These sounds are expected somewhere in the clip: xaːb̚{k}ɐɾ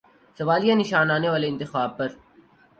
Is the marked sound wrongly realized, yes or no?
yes